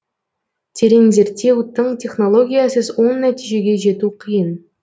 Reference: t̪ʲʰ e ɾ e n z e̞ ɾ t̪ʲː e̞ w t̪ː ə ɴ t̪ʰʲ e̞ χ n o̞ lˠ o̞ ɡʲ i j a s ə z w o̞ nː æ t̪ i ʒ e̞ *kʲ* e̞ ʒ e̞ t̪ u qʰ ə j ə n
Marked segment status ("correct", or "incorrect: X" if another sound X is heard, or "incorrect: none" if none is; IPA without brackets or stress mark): incorrect: ɡʲ